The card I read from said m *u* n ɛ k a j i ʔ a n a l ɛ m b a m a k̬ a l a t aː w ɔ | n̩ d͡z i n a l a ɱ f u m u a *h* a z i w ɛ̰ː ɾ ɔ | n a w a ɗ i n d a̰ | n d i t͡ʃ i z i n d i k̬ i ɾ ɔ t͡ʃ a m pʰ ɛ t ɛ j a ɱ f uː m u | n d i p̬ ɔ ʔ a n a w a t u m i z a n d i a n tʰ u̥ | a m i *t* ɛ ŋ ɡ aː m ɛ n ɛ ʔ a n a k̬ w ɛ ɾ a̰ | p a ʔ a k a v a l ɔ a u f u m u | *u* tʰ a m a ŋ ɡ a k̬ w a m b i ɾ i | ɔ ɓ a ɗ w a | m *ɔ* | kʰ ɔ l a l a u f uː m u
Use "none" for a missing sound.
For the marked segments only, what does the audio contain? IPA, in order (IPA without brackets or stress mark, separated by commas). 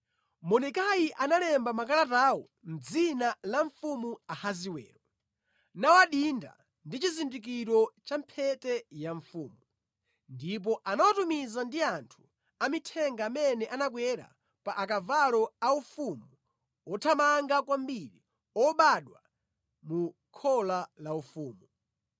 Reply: ɔ, h, tʰ, ɔ, u